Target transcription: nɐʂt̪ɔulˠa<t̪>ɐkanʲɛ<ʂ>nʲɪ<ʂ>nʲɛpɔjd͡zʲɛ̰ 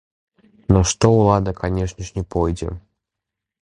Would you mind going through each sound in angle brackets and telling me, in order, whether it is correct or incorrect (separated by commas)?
incorrect, correct, correct